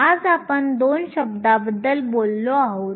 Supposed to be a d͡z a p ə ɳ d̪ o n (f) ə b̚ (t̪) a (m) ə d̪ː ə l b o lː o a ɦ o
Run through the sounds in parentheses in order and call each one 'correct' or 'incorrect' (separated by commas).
incorrect, incorrect, incorrect